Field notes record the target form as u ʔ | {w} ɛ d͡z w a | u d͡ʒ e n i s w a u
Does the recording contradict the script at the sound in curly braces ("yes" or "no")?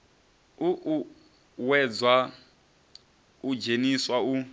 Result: no